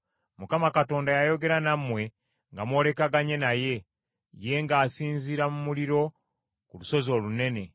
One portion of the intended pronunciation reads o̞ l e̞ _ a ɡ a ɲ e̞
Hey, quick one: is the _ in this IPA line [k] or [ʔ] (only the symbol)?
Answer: k